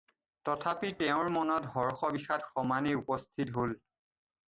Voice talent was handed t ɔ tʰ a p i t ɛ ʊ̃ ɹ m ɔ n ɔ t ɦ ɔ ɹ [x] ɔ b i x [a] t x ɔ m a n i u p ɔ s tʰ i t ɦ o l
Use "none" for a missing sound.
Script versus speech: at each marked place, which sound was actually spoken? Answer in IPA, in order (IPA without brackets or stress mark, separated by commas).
x, a